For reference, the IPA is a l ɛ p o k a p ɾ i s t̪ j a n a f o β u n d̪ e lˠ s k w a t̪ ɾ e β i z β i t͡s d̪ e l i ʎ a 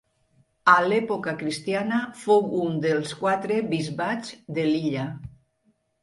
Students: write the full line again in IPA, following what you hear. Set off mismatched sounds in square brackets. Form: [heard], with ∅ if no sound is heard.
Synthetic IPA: a l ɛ p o k a [k] ɾ i s t̪ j a n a f o [w] u n d̪ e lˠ s k w a t̪ ɾ e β i z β [a] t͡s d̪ e l i ʎ a